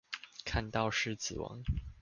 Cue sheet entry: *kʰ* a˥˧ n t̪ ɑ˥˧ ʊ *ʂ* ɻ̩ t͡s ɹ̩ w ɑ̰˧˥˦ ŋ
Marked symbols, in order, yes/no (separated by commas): yes, yes